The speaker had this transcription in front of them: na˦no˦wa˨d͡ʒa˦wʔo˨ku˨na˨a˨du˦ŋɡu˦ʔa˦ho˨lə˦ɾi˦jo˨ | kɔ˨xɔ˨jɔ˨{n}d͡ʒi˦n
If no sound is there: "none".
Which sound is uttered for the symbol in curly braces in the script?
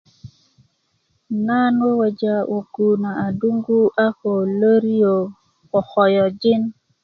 none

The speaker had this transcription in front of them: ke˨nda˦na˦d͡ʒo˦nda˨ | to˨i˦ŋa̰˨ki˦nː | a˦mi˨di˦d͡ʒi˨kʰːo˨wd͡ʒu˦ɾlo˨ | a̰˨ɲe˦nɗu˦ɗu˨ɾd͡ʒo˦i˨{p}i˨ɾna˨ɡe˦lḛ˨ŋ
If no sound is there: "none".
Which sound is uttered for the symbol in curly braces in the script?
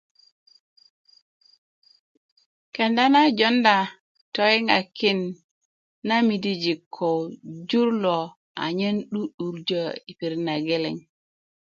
p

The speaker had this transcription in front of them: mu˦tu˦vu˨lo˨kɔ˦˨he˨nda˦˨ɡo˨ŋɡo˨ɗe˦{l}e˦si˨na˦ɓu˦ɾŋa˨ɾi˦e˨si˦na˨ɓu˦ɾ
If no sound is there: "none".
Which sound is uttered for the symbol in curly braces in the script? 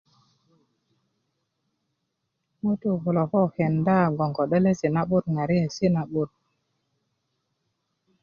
l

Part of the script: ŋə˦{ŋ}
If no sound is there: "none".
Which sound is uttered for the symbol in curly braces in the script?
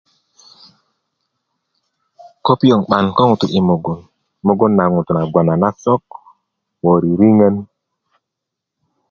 n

